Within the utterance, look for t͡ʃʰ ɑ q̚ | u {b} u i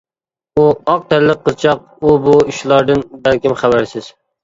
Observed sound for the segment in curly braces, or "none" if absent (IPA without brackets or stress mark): b